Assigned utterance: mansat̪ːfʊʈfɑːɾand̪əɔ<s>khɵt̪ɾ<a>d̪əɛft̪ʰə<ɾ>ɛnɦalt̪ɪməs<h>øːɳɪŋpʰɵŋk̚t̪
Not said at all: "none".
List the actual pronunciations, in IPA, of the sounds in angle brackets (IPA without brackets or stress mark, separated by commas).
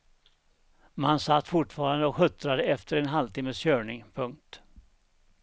none, a, ɾ, ɕ